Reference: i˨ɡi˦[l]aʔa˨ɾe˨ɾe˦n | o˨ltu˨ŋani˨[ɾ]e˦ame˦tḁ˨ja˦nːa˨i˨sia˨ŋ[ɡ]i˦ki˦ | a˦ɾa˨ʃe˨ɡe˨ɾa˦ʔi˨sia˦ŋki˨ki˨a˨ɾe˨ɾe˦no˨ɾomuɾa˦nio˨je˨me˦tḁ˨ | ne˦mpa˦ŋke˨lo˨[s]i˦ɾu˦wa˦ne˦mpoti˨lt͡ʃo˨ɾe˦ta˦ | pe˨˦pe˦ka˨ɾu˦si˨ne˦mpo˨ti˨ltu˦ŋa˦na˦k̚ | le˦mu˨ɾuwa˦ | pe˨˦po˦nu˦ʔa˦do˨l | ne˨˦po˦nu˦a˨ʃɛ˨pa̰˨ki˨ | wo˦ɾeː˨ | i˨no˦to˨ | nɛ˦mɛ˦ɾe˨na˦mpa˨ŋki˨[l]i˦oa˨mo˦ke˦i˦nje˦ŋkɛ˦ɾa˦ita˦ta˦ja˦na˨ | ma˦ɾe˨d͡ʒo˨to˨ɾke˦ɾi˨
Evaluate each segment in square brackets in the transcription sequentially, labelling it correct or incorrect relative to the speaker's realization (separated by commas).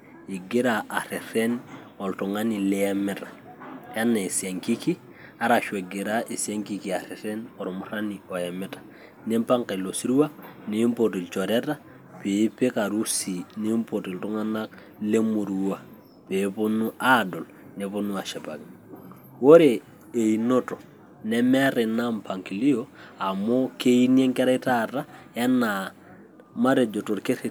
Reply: incorrect, incorrect, incorrect, correct, correct